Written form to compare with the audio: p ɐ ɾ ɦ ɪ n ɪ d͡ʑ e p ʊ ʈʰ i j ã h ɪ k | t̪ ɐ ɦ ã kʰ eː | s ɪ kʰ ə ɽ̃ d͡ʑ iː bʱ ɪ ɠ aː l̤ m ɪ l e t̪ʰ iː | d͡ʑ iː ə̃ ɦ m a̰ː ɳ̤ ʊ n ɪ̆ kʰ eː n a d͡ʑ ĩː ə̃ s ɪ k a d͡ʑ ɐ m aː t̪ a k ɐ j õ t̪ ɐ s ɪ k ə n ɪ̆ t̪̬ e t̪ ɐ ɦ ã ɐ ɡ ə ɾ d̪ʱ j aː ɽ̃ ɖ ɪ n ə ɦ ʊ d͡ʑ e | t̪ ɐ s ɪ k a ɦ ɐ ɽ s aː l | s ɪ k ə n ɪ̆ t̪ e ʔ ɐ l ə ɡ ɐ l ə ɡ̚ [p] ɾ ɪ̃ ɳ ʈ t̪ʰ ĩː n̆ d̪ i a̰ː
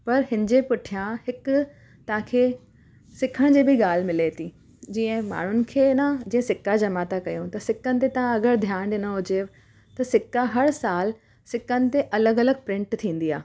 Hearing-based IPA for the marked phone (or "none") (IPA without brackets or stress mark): p